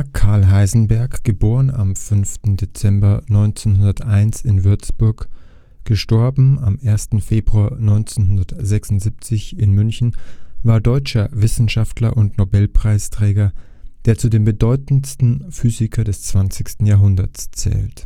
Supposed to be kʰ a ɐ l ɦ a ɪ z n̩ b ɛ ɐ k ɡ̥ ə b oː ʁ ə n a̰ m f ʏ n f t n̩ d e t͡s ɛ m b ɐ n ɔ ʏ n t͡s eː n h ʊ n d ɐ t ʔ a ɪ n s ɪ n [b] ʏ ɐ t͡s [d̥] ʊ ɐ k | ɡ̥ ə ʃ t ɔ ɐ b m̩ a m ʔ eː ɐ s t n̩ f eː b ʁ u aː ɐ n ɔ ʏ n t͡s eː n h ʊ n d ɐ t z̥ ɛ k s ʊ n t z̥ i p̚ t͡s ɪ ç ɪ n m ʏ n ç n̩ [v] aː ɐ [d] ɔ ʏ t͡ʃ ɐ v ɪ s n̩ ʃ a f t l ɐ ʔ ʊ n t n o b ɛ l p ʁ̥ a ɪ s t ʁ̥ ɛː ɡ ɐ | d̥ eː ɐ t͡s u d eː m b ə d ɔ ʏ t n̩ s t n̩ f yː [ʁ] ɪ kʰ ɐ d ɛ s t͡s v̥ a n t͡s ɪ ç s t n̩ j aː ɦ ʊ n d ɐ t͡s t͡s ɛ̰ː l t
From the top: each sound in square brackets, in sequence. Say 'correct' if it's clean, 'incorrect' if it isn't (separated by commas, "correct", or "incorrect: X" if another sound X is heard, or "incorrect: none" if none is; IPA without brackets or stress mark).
incorrect: v, incorrect: b̥, correct, correct, incorrect: z